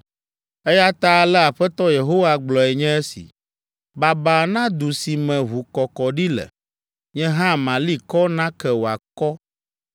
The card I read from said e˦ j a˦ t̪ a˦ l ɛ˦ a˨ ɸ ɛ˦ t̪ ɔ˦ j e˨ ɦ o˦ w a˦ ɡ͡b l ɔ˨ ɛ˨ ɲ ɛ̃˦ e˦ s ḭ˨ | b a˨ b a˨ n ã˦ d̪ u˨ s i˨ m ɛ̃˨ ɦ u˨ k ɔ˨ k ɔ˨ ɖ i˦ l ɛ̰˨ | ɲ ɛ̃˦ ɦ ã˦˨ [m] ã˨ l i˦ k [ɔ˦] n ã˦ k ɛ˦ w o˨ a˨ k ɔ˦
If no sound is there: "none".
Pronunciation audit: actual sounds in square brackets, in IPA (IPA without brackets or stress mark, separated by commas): m, ɔ˦